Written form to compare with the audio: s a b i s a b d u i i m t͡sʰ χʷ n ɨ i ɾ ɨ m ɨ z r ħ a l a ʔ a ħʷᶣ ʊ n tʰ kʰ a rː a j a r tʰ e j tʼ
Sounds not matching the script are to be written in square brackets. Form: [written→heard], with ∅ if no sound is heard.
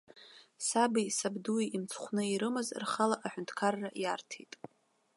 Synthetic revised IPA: s a b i s a b d u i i m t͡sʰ χʷ n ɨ i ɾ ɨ m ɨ z r [ħ→χ] a l a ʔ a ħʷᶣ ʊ n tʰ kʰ a rː a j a r tʰ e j tʼ